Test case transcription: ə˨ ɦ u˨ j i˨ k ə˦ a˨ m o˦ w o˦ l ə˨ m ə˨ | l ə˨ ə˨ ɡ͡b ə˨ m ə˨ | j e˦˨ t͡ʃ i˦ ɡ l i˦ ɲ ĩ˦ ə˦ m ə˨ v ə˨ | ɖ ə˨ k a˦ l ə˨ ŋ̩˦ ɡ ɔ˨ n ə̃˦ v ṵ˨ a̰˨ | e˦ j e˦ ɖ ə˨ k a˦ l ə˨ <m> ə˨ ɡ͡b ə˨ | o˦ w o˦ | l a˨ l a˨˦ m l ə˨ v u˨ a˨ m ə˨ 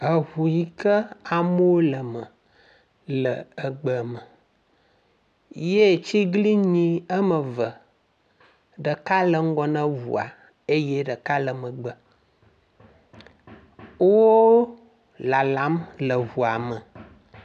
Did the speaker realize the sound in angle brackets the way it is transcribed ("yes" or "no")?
yes